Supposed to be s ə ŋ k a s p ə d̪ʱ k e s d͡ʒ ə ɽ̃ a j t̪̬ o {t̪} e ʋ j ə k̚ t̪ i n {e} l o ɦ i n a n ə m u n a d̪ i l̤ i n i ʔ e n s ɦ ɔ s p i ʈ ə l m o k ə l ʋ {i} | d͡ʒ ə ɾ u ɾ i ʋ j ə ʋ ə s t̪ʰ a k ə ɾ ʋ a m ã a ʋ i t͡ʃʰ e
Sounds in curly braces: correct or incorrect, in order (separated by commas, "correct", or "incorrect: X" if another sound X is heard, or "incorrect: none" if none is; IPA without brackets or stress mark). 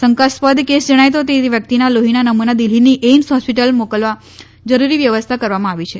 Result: correct, incorrect: a, incorrect: a